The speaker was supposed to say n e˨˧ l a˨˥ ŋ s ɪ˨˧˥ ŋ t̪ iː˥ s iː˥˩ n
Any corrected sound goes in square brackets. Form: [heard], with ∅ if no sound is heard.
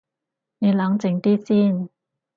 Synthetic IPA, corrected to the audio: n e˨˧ l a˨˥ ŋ [t͡s] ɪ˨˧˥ ŋ t̪ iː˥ s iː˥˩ n